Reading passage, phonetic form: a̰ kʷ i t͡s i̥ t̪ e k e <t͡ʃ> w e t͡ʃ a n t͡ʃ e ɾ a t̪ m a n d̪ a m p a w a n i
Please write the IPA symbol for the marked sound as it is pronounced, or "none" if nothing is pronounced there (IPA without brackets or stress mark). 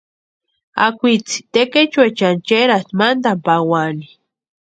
t͡ʃ